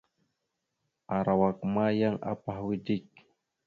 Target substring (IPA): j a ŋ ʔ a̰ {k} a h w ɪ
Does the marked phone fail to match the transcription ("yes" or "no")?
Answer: yes